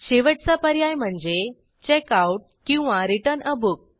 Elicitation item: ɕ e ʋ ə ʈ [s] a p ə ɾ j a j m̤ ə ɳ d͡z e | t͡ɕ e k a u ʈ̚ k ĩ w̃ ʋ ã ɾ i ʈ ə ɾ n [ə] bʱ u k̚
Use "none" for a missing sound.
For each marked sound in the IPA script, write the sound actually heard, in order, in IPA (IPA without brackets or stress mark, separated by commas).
t͡s, ə